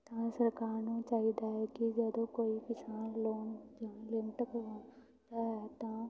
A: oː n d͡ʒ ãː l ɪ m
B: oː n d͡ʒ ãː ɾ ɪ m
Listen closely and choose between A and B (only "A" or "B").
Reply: A